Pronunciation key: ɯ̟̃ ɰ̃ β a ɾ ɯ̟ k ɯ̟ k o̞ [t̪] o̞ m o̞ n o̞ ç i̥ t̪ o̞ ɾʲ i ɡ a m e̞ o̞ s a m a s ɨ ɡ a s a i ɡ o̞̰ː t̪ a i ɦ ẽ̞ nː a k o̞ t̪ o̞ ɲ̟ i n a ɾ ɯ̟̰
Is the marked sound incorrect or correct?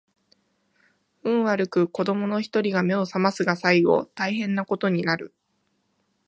incorrect